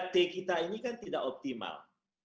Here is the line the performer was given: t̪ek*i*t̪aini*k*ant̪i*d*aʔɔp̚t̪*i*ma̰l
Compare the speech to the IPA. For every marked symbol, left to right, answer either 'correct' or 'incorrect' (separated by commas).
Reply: correct, correct, correct, correct